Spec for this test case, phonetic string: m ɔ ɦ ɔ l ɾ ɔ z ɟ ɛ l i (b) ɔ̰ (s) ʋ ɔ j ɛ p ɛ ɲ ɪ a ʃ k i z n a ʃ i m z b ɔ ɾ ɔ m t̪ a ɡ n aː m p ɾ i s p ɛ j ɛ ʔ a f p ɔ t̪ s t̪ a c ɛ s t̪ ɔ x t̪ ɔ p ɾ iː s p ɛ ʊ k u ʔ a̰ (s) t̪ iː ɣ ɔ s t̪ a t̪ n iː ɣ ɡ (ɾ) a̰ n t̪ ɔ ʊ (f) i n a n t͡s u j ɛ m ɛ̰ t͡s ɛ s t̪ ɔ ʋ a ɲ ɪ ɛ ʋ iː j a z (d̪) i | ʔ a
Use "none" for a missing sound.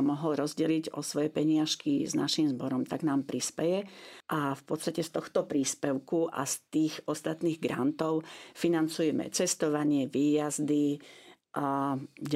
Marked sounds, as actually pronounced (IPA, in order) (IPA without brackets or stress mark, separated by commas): ɟ, s, s, ɾ, f, d̪